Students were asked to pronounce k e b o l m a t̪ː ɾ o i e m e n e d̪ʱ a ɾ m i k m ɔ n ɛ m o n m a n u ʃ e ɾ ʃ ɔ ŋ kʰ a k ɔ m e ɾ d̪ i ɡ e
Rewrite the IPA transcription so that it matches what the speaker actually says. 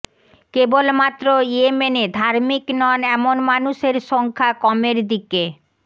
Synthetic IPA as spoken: k e b o l m a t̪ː ɾ o i e m e n e d̪ʱ a ɾ m i k n ɔ n ɛ m o n m a n u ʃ e ɾ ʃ ɔ ŋ kʰ a k ɔ m e ɾ d̪ i k e

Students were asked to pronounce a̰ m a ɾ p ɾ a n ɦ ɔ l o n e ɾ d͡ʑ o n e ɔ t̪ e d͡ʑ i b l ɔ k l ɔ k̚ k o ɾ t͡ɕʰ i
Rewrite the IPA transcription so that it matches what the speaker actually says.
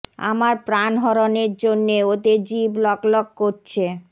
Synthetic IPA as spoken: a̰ m a ɾ p ɾ a n ɦ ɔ ɾ o n e ɾ d͡ʑ o nː e o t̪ e d͡ʑ i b l ɔ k l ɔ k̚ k o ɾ t͡ɕʰ e

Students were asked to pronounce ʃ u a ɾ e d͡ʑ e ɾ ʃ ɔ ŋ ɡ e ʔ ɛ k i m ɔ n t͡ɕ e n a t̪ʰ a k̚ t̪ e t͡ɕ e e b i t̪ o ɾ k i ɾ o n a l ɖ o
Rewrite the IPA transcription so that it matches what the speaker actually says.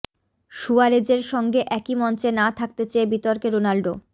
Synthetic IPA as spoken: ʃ u a ɾ e d͡ʑ e ɾ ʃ ɔ ŋ ɡ e ʔ ɛ k i m ɔ n t͡ɕ e n a t̪ʰ a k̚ t̪ e t͡ɕ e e b i t̪ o ɾ k e ɾ o n a l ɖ o

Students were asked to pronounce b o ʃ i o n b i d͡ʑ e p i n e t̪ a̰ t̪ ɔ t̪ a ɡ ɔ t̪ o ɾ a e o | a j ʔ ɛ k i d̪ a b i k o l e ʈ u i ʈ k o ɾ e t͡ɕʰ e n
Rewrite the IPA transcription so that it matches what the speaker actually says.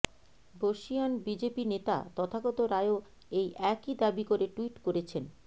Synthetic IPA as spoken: b o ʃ i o n b i d͡ʑ e p i n e t̪ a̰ t̪ ɔ t̪ʰ a ɡ ɔ t̪ o ɾ a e o | e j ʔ ɛ k i d̪ a b i k o ɾ e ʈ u i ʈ k o ɾ e t͡ɕʰ e n

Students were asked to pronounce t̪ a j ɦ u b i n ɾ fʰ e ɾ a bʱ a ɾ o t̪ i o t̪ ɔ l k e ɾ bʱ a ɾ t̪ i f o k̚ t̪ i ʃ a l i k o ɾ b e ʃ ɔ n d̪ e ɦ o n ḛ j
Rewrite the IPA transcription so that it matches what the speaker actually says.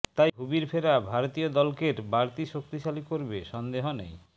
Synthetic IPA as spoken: t̪ a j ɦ u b i ɾ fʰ e ɾ a bʱ a ɾ o t̪ i o d̪ ɔ l k e ɾ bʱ a ɾ t̪ i ʃ o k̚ t̪ i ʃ a l i k o ɾ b e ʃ ɔ n d̪ e ɦ o n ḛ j

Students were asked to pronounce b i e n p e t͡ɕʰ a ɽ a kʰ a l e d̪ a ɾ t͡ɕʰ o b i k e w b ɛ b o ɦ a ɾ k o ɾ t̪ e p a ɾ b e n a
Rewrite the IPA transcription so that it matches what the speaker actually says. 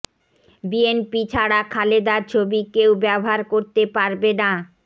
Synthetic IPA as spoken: b i e n p i t͡ɕʰ a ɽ a kʰ a l e d̪ a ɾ t͡ɕʰ o b i k e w b ɛ b o ɦ a ɾ k o ɾ t̪ e p a ɾ b e n a

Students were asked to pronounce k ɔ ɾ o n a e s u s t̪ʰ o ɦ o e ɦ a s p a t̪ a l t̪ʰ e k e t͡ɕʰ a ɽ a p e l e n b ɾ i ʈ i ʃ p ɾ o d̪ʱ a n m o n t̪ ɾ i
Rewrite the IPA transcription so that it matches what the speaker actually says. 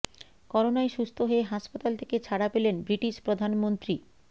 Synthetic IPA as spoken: k ɔ ɾ o n a e ʃ u s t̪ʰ o ɦ o e ɦ a ʃ p a t̪ a l t̪ʰ e k e t͡ɕʰ a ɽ a p e l e n b ɾ i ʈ i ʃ p ɾ o d̪ʱ a n m o n t̪ ɾ i

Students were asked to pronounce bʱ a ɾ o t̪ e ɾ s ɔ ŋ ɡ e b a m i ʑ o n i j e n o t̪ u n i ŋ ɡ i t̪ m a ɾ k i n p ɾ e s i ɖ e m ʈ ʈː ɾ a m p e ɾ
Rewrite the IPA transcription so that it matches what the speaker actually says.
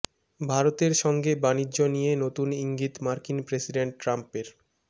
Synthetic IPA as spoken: bʱ a ɾ o t̪ e ɾ ʃ ɔ ŋ ɡ e b a n i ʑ o n i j e n o t̪ u n i ŋ ɡ i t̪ m a ɾ k i n p ɾ e s i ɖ e ɳ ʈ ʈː ɾ a m p e ɾ

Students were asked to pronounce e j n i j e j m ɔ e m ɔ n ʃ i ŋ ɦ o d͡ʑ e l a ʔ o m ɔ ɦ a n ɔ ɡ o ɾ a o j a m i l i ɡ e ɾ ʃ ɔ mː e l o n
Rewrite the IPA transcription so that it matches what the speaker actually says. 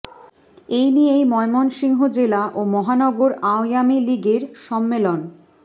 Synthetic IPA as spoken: e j n i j e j m ɔ e m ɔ n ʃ i ŋ ɦ o d͡ʑ e l a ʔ o m ɔ ɦ a n ɔ ɡ o ɾ a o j a m i l i ɡ e ɾ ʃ ɔ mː e l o n

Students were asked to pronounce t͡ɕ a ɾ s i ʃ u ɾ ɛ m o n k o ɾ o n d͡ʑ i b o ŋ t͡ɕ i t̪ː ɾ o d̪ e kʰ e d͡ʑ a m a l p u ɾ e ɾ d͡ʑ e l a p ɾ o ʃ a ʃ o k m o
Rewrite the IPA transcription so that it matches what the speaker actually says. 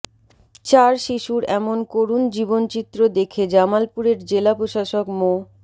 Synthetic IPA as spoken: t͡ɕ a ɾ ʃ i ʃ u ɾ ɛ m o n k o ɾ u n d͡ʑ i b o n t͡ɕ i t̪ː ɾ o d̪ e kʰ e d͡ʑ a m a l p u ɾ e ɾ d͡ʑ e l a p ɾ o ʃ a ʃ o k m o

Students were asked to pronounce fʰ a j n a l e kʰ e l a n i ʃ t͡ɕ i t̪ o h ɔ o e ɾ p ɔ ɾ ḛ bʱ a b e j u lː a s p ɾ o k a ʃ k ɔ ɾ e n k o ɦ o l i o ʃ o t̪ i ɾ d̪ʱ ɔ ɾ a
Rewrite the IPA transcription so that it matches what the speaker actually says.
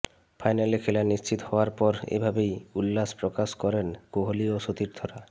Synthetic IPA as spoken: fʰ a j n a l e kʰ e l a n i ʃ t͡ɕ i t̪ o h ɔ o a ɾ p ɔ ɾ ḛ bʱ a b e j u lː a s p ɾ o k a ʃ k ɔ ɾ e n k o ɦ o l i o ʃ o t̪ i ɾ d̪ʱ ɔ ɾ a

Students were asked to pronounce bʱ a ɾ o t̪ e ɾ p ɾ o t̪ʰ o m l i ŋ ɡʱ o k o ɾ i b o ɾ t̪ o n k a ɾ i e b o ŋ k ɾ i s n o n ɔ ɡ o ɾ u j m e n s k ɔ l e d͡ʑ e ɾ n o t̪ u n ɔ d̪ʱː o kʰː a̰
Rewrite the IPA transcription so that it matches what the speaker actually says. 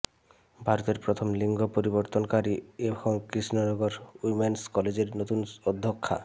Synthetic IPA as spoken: bʱ a ɾ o t̪ e ɾ p ɾ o t̪ʰ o m l i ŋ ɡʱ o p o ɾ i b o ɾ t̪ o n k a ɾ i e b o ŋ k ɾ i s n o n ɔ ɡ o ɾ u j m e n s k ɔ l e d͡ʑ e ɾ n o t̪ u n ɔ d̪ʱː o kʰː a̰

